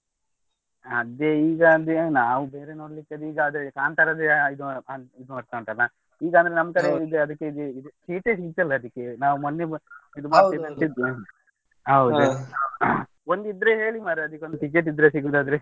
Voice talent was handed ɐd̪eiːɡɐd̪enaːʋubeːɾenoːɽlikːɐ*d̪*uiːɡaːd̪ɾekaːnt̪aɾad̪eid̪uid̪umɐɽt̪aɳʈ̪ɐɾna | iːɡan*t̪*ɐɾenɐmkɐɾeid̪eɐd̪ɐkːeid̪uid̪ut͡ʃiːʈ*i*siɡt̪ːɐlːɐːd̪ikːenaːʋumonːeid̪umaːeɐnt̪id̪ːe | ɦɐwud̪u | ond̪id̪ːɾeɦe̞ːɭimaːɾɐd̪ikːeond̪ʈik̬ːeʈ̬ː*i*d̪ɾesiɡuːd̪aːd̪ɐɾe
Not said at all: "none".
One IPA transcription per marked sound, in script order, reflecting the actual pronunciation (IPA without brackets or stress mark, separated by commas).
d̪, d̪, e, i